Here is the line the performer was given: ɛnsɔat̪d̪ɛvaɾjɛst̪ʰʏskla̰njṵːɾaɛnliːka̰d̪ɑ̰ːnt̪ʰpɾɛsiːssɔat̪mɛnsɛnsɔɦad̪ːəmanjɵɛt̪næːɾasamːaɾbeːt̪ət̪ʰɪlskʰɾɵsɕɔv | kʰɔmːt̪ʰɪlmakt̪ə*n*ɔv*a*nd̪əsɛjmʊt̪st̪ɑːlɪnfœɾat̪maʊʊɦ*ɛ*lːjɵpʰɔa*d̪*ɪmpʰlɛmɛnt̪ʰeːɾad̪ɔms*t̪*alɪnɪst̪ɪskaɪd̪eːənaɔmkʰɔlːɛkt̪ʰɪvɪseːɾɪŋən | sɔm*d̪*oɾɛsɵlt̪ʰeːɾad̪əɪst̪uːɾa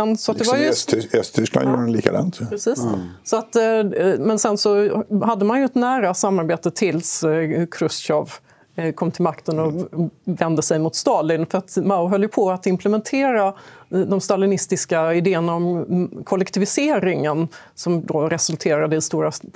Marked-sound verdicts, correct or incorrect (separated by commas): correct, incorrect, incorrect, incorrect, correct, correct